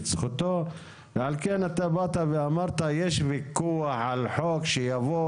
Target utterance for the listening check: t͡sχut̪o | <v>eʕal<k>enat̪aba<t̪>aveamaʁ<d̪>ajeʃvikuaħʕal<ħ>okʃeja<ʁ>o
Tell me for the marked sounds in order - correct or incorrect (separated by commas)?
correct, correct, correct, incorrect, correct, incorrect